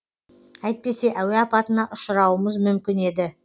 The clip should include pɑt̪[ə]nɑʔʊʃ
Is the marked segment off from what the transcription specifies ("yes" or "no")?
no